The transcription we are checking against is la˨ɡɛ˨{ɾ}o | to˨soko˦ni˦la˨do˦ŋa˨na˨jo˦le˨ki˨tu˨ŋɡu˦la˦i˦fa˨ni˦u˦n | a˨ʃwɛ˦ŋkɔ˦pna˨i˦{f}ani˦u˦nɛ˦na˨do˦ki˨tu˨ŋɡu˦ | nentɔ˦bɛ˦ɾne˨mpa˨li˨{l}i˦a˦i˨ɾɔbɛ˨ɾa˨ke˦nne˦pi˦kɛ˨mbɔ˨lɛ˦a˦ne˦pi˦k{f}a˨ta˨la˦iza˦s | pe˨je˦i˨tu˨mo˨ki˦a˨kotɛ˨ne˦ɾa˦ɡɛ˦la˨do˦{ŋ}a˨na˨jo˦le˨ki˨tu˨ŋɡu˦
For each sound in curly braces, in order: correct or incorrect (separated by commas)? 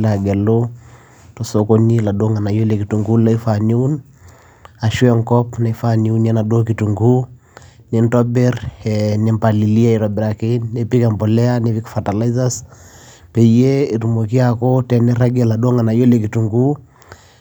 incorrect, correct, correct, correct, correct